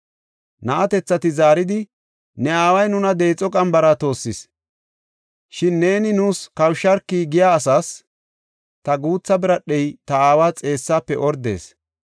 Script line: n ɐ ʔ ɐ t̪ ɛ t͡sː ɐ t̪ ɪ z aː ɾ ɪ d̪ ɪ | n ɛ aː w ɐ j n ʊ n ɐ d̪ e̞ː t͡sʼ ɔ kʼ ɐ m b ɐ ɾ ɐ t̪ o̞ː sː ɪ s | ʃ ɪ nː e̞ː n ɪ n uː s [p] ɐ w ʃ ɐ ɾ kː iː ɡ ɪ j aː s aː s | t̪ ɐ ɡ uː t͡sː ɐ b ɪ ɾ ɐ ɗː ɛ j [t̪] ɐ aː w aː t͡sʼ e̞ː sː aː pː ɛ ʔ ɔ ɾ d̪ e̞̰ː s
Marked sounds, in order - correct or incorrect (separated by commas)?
incorrect, correct